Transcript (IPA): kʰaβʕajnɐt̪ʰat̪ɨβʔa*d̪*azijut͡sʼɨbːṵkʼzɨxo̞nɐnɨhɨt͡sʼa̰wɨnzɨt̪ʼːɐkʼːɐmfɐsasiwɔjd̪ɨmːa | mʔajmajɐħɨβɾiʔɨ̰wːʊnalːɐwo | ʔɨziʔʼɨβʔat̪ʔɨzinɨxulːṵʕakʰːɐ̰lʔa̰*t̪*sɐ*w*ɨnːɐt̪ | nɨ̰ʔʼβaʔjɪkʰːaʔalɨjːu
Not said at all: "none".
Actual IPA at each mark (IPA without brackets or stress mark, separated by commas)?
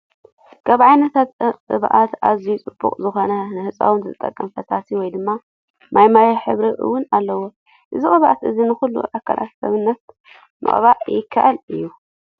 t̪, t̪, β